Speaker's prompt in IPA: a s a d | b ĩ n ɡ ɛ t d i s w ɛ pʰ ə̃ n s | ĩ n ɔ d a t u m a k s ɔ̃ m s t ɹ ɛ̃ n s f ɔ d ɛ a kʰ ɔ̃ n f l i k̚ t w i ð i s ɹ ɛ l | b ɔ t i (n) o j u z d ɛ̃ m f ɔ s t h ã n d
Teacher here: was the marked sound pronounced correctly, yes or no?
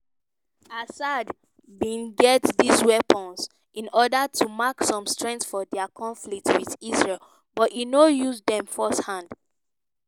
yes